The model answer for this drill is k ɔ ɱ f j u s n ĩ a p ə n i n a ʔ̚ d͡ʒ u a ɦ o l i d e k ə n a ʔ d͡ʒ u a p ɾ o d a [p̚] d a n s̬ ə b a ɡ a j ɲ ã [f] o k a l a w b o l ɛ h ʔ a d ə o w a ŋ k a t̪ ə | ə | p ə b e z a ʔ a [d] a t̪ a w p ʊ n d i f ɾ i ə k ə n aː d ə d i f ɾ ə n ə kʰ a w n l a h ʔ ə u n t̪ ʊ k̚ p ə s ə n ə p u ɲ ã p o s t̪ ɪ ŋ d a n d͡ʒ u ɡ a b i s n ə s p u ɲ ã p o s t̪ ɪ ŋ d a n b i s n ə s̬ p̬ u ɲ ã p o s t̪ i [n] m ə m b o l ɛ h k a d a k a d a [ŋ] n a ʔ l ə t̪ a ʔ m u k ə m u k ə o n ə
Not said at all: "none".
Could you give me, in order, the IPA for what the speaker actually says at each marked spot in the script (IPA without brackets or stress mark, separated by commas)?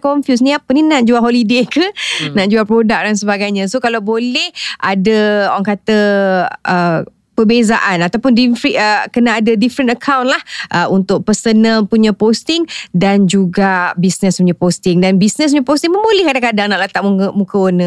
k̚, s, n, ŋ, ŋ